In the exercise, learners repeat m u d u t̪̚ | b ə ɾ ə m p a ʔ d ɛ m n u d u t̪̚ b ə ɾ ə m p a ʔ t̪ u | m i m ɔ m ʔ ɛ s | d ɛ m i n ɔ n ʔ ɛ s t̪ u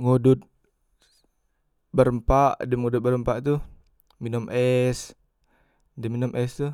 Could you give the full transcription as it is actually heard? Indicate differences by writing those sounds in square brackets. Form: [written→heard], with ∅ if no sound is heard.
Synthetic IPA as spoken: [m→ŋ] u d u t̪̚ | b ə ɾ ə m p a ʔ d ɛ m [n→ŋ] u d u t̪̚ b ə ɾ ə m p a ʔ t̪ u | m i [m→n] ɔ m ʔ ɛ s | d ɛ m i n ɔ [n→m] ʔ ɛ s t̪ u